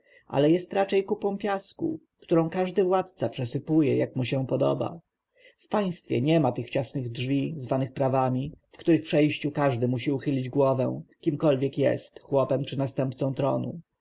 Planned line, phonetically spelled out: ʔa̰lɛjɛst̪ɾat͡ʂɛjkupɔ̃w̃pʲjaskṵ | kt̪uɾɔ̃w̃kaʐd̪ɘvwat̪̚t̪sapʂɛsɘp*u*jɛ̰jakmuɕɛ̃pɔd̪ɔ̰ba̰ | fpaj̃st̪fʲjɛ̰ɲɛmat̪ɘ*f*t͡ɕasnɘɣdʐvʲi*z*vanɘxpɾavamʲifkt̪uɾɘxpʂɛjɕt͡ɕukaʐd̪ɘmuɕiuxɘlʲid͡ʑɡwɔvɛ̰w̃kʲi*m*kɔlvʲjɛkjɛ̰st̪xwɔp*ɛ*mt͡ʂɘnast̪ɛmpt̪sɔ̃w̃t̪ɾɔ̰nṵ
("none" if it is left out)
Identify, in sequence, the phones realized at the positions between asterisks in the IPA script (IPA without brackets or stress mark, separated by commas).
u, x, z, m, ɛ